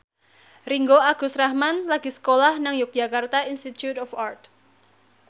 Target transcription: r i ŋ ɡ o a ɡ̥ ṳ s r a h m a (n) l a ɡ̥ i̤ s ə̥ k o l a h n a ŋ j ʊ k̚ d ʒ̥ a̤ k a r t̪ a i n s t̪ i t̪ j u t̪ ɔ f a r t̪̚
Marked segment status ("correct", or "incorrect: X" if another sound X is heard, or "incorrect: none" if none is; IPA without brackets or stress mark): correct